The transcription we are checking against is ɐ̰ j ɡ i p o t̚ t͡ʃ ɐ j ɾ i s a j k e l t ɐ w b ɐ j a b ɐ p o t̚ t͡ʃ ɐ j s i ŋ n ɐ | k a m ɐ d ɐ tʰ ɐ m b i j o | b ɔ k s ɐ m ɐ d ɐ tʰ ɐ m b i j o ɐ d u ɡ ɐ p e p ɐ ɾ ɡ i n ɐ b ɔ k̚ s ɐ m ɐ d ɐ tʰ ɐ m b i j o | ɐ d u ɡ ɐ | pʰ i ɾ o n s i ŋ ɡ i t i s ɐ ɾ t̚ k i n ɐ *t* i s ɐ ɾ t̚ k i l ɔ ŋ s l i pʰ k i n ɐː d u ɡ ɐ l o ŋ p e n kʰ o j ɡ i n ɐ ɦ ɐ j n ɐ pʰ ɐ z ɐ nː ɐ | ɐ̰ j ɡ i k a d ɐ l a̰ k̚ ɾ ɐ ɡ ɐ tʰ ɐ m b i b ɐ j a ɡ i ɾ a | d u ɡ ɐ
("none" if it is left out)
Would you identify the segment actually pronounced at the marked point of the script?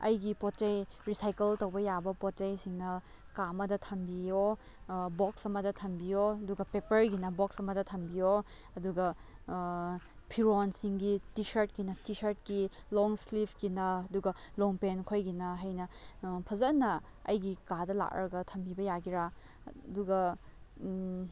t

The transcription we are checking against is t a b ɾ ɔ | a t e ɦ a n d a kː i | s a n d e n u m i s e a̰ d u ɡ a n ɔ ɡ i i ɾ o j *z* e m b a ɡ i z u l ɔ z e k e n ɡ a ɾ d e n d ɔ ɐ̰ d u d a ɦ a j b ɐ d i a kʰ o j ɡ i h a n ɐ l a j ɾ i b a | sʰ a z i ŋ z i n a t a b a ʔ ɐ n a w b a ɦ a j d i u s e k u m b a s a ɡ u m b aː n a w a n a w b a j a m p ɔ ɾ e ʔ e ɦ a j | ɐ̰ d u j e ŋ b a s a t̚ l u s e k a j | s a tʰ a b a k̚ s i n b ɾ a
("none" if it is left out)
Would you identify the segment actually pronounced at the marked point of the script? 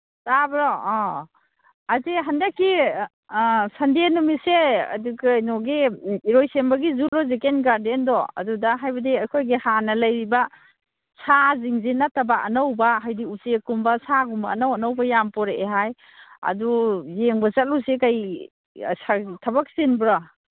s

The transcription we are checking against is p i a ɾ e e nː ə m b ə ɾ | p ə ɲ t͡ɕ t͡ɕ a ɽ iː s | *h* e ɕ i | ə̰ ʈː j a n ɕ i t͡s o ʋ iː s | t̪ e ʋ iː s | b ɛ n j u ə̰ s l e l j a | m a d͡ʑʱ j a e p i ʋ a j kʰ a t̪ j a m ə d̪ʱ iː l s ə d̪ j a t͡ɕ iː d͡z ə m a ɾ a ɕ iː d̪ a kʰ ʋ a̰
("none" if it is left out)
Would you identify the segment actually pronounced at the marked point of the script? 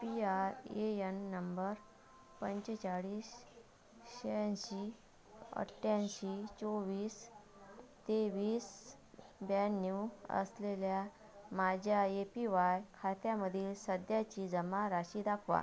ɕ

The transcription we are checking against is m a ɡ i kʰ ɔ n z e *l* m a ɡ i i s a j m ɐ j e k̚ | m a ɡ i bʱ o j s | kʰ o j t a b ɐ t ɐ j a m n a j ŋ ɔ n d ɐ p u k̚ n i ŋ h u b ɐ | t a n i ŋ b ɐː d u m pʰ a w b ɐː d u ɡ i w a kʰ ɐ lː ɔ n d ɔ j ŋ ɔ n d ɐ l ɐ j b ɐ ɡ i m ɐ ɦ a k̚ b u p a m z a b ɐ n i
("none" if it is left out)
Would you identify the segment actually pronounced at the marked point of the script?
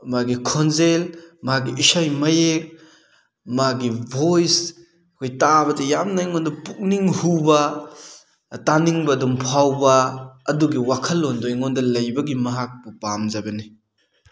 l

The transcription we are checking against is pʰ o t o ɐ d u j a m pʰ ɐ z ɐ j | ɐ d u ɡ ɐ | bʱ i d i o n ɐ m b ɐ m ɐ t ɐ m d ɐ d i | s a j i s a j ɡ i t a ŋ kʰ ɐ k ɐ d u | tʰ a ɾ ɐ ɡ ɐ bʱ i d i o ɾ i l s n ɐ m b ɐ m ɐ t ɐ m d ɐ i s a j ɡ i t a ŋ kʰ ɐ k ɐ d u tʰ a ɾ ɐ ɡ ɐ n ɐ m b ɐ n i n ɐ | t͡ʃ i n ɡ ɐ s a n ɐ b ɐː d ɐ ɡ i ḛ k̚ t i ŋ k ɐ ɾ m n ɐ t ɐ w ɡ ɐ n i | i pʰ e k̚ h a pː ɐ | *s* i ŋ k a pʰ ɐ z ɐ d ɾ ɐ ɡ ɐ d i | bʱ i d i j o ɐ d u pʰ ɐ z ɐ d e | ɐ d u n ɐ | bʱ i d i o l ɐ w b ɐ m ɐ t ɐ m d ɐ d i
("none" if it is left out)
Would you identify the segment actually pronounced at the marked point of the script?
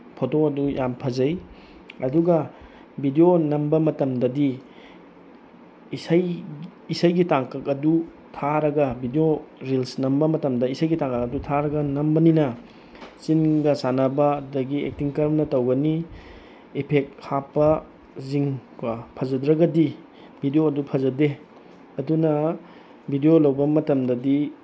z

